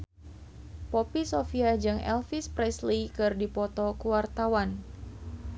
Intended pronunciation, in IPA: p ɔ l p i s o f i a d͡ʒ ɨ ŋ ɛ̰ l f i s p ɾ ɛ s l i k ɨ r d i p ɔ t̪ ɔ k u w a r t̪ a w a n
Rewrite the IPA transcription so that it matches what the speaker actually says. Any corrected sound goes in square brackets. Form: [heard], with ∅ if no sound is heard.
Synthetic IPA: p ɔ [∅] p i s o f i a d͡ʒ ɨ ŋ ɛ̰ l f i s p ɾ ɛ s l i k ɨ r d i p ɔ t̪ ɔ k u w a r t̪ a w a n